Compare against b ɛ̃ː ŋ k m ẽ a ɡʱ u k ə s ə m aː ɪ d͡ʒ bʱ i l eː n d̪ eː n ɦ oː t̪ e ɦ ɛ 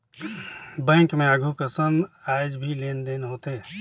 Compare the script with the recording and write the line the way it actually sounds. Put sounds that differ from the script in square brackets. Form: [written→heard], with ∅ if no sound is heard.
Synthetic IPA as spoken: b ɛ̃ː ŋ k m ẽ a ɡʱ u k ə s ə [m→n] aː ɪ d͡ʒ bʱ i l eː n d̪ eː n ɦ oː t̪ e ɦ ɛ